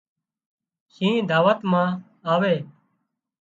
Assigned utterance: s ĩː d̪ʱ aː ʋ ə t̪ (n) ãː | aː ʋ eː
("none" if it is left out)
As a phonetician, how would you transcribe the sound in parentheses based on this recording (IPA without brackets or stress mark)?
m